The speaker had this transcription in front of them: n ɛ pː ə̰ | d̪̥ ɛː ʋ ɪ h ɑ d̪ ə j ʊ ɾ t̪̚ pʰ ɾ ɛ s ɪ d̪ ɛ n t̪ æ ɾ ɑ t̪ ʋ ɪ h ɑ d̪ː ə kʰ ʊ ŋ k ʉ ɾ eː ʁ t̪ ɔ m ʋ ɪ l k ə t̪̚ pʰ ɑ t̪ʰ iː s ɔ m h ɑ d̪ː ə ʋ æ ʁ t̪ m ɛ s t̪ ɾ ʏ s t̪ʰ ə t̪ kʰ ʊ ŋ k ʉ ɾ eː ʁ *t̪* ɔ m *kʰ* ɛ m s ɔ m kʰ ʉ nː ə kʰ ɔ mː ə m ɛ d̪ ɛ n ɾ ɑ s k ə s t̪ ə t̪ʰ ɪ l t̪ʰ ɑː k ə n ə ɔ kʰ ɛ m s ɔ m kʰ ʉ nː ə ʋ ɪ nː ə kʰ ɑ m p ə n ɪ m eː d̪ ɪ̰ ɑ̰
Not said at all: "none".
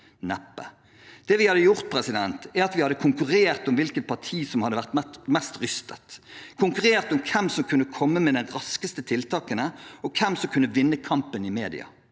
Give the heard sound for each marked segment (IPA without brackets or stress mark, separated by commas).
t̪, kʰ